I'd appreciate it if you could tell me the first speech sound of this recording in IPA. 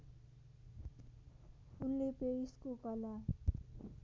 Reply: u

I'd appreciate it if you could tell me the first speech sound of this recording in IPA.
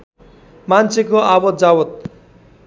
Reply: m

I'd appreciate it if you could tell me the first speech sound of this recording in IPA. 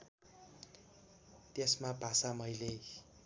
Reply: t̪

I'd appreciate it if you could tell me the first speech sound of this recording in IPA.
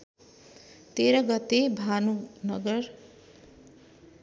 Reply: t̪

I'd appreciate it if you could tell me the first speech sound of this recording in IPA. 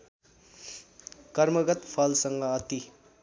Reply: k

